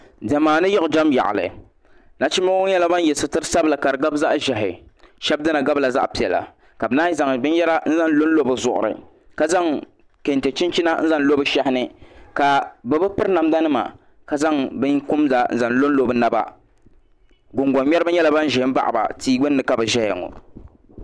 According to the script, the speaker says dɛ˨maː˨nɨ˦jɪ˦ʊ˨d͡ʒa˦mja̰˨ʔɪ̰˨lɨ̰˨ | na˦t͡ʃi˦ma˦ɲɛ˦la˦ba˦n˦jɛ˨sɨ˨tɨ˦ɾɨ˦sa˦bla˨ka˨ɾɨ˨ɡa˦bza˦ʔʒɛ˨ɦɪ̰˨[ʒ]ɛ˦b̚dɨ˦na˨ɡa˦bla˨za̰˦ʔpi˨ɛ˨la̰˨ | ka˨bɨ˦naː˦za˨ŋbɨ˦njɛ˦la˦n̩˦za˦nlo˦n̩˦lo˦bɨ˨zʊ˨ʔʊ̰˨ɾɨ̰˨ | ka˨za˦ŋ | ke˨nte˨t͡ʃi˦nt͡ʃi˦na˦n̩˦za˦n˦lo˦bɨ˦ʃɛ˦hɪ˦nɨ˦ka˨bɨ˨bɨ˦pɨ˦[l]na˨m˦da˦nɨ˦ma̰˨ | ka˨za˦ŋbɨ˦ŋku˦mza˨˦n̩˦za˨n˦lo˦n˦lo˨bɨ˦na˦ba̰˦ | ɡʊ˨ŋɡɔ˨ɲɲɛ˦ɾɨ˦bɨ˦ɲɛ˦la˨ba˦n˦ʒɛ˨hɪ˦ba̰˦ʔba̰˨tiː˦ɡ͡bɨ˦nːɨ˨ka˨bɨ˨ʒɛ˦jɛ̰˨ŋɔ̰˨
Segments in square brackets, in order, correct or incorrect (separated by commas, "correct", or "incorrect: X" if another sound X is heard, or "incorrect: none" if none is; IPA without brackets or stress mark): incorrect: ʃ, incorrect: ɾ